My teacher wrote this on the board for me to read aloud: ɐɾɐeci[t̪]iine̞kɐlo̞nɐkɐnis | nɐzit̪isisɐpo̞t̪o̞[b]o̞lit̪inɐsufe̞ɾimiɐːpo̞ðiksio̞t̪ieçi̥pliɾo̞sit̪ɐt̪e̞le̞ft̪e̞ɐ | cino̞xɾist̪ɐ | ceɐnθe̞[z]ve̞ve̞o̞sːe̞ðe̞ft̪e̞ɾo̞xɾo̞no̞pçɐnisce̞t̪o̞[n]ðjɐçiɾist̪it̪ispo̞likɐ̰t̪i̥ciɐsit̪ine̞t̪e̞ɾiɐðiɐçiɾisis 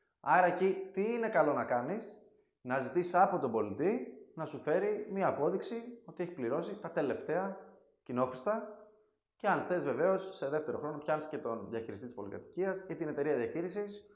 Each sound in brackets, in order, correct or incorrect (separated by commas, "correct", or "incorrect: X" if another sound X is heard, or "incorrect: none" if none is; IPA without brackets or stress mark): correct, correct, correct, correct